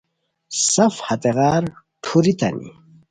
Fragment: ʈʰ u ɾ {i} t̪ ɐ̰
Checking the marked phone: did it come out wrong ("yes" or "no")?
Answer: no